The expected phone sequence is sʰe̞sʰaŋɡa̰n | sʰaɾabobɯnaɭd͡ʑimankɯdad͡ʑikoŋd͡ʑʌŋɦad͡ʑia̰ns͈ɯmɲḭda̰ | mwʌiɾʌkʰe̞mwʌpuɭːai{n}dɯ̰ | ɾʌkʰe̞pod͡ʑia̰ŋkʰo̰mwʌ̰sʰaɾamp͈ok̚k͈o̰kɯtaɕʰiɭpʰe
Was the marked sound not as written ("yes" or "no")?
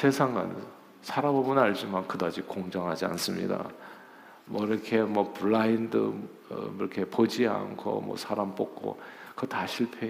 no